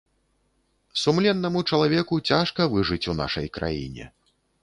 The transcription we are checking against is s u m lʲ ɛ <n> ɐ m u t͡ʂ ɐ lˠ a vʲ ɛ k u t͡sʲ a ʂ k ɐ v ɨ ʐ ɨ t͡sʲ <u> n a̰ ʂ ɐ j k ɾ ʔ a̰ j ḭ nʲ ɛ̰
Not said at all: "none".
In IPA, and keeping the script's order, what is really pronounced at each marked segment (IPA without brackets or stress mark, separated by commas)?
nː, u